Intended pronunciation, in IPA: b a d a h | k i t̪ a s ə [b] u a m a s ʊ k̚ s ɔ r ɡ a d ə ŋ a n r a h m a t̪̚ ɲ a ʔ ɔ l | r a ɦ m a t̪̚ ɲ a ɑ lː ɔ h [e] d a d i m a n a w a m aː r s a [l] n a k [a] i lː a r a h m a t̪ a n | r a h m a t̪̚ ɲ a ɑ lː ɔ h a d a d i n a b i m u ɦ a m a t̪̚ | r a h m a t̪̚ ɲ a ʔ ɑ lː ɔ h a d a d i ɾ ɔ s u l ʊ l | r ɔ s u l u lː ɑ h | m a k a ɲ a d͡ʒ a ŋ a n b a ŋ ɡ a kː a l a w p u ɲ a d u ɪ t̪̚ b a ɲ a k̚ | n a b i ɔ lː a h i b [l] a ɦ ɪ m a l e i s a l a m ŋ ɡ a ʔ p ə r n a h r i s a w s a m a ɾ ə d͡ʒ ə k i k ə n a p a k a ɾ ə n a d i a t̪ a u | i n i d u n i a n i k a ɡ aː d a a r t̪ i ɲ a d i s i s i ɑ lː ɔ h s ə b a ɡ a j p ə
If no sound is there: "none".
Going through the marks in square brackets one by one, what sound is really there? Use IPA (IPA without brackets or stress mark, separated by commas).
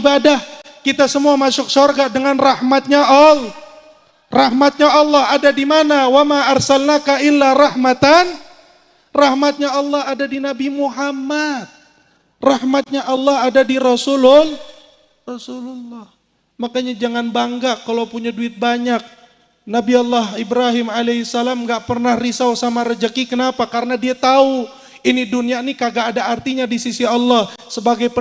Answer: m, a, l, a, ɾ